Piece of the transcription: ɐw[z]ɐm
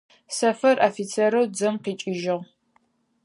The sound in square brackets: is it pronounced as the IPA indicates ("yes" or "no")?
no